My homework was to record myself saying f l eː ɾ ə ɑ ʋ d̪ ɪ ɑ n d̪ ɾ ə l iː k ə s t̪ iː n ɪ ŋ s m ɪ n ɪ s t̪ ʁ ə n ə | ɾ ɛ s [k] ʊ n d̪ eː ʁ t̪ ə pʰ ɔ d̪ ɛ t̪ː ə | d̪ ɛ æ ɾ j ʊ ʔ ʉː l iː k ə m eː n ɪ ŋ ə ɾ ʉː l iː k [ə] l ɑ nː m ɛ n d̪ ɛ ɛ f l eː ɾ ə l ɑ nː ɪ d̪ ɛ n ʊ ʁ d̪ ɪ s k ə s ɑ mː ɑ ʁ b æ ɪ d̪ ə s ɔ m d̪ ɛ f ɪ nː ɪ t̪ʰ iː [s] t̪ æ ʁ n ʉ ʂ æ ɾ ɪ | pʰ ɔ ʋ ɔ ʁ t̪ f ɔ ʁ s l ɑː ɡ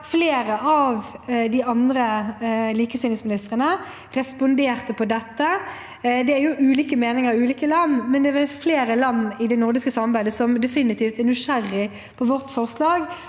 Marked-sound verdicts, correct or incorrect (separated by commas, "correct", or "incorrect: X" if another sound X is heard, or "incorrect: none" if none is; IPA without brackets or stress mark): incorrect: p, correct, incorrect: f